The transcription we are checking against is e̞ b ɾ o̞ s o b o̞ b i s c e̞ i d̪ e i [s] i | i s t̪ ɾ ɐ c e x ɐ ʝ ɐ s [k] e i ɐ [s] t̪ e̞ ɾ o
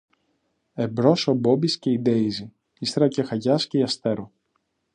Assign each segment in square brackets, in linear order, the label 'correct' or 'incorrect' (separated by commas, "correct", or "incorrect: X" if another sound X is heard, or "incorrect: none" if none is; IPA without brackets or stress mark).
incorrect: z, incorrect: c, correct